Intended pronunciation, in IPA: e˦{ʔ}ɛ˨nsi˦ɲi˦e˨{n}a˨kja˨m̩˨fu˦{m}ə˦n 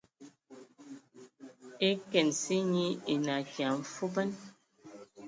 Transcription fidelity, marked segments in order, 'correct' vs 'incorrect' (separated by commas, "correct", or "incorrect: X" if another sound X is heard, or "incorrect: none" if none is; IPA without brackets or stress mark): incorrect: k, correct, incorrect: b